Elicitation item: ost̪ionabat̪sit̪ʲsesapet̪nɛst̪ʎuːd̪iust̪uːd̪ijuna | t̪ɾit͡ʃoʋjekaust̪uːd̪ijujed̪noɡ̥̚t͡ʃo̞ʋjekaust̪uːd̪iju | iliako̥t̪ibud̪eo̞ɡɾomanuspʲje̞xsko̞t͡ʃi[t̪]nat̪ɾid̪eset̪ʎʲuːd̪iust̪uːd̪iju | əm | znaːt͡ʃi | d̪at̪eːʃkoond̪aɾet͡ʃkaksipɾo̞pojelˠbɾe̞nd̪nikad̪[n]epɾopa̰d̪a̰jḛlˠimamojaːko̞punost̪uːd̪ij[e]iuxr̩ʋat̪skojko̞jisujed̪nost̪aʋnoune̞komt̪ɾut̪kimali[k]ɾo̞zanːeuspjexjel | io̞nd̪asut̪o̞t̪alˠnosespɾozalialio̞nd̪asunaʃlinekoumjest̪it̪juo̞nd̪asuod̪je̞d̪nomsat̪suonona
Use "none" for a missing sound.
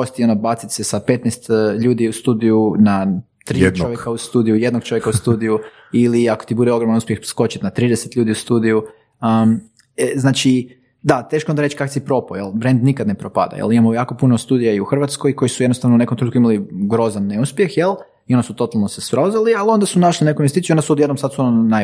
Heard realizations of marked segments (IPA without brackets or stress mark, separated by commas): t̪, n, a, ɡ